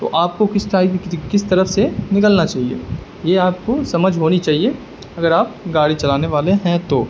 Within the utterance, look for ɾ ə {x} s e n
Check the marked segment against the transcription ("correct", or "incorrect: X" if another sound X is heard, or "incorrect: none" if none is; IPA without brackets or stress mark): incorrect: f